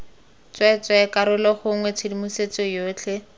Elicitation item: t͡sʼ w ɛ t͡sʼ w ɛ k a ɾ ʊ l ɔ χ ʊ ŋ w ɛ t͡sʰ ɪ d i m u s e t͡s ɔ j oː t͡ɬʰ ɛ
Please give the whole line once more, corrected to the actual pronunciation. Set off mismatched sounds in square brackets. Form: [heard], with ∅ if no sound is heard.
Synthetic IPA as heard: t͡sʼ w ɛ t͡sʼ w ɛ k a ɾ ʊ l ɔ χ ʊ ŋ w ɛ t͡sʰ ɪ d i m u s e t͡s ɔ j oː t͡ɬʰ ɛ